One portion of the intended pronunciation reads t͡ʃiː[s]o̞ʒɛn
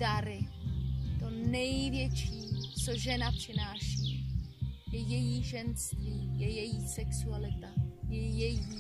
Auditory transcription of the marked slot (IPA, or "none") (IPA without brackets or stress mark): t͡s